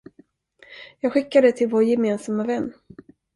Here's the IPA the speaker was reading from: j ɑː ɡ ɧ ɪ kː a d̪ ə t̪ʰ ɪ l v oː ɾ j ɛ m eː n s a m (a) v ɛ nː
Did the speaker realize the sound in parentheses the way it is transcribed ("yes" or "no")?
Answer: yes